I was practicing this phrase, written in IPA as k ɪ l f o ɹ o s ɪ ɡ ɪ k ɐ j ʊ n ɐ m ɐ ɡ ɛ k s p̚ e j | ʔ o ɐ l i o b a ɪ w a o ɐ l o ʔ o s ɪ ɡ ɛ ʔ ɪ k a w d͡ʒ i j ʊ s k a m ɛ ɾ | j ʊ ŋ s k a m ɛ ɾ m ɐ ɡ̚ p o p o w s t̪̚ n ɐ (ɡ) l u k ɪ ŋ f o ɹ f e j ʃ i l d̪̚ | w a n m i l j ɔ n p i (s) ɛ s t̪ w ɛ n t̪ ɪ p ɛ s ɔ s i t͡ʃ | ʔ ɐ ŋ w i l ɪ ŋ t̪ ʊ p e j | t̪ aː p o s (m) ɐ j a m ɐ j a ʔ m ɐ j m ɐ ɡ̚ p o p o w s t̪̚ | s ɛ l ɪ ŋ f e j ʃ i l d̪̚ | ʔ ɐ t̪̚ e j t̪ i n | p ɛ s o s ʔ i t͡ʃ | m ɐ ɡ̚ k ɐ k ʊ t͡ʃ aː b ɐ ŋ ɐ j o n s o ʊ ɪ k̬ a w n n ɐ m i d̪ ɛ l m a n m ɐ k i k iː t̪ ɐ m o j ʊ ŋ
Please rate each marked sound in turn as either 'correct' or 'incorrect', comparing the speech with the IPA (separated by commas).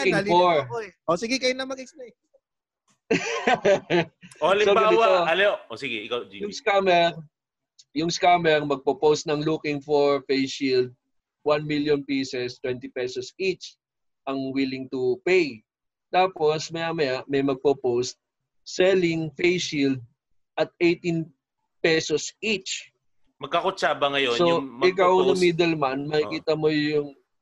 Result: incorrect, correct, correct